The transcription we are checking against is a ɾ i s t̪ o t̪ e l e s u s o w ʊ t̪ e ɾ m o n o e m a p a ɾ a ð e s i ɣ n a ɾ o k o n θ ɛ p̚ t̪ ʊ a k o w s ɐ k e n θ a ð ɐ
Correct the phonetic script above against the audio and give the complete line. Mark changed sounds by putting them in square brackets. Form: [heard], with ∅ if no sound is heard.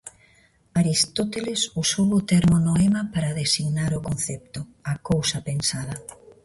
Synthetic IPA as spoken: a ɾ i s t̪ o t̪ e l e s u s o w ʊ t̪ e ɾ m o n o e m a p a ɾ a ð e s i ɣ n a ɾ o k o n θ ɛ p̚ t̪ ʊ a k o w s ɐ [p] e n [s] a ð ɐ

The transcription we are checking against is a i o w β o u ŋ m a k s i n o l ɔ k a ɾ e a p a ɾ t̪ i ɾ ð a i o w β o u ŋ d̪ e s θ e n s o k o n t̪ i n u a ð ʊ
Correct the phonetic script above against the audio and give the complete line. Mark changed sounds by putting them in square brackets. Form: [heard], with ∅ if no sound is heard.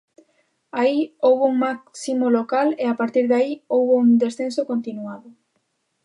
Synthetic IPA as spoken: a i o w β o u ŋ m a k s i [m] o l [o] k a [l] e a p a ɾ t̪ i ɾ ð a i o w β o u ŋ d̪ e s θ e n s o k o n t̪ i n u a ð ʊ

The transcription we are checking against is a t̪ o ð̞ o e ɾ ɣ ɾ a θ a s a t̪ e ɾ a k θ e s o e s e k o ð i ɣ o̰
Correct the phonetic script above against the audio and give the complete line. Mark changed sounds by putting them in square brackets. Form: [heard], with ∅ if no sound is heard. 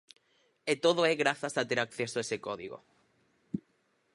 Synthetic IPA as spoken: [e] t̪ o ð̞ o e [∅] ɣ ɾ a θ a s a t̪ e ɾ a k θ e s o e s e k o ð i ɣ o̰

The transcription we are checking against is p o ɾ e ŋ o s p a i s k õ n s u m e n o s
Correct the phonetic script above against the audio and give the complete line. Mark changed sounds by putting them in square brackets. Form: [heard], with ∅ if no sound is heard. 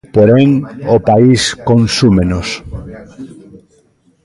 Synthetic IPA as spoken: p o ɾ e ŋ o [∅] p a i s k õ n s u m e n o s

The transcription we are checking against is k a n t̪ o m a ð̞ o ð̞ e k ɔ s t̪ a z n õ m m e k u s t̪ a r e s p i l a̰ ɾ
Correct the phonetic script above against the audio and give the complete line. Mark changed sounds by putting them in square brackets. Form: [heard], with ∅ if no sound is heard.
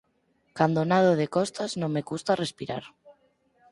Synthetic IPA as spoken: k a n [d̪] o [n] a ð̞ o ð̞ e k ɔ s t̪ a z n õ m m e k u s t̪ a r e s p i [ɾ] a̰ ɾ

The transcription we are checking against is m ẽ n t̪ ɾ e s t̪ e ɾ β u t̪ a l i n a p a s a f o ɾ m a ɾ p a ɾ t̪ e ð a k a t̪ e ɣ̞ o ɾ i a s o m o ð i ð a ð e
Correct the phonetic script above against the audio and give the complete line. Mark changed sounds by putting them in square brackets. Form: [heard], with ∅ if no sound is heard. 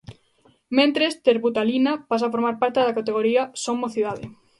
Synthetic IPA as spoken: m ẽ n t̪ ɾ e s t̪ e ɾ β u t̪ a l i n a p a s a f o ɾ m a ɾ p a ɾ t̪ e ð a k a t̪ e ɣ̞ o ɾ i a s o m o [θ] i ð a ð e

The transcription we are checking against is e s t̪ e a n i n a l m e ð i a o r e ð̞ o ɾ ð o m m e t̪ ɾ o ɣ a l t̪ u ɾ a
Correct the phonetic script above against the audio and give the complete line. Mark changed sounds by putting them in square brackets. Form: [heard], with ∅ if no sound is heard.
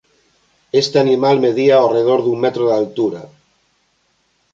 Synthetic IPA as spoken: e s t̪ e a n i [m] a l m e ð i a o r e ð̞ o ɾ ð [u] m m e t̪ ɾ o [ð] a l t̪ u ɾ a

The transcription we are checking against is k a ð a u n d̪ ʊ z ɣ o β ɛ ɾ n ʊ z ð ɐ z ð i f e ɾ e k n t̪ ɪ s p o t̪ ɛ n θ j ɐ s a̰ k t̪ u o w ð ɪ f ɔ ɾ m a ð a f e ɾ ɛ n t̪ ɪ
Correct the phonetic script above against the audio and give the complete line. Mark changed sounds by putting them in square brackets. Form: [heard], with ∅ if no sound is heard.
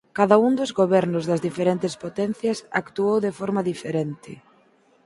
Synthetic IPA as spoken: k a ð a u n d̪ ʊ z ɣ o β ɛ ɾ n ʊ z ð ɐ z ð i f e ɾ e [∅] n t̪ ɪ s p o t̪ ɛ n θ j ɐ s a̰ k t̪ u o w ð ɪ f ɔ ɾ m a ð [i] f e ɾ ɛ n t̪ ɪ

